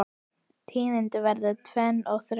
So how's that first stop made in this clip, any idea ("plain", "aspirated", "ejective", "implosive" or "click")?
aspirated